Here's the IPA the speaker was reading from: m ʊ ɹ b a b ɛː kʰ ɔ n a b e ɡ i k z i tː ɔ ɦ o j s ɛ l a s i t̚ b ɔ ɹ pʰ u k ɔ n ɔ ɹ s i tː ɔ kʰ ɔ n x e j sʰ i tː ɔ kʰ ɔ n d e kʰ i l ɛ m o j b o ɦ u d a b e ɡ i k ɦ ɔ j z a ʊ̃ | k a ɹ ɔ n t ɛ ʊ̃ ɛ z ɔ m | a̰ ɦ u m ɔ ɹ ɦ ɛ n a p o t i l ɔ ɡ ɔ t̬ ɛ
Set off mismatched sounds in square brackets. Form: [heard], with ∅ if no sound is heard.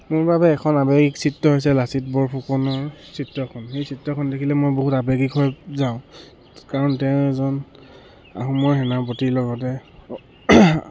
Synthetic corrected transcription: m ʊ ɹ b a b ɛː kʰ ɔ n a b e ɡ i k [s] i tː ɔ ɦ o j s ɛ l a s i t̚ b ɔ ɹ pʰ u k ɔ n ɔ ɹ s i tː ɔ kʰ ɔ n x e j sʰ i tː ɔ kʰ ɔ n d e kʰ i l ɛ m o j b o ɦ u [t] a b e ɡ i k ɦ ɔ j z a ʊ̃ | k a ɹ ɔ n t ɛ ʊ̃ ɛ z ɔ [n] | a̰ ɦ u m ɔ ɹ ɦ ɛ n a p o t i l ɔ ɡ ɔ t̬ ɛ